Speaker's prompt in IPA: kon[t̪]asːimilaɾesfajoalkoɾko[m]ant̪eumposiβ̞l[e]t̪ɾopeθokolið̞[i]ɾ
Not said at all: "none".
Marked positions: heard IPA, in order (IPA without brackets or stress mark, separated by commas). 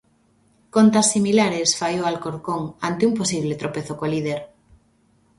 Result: t̪, ŋ, e, e